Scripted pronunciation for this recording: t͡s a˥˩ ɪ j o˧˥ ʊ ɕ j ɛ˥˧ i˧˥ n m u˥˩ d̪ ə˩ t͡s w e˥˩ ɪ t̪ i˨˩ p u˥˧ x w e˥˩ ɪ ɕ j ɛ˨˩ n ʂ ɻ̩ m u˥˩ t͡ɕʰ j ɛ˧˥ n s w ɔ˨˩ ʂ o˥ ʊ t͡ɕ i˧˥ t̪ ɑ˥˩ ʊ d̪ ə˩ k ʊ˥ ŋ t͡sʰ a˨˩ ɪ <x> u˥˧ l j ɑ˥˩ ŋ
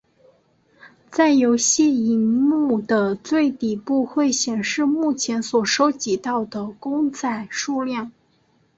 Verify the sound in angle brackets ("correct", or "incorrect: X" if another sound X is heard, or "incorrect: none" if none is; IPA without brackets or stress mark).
incorrect: ʂ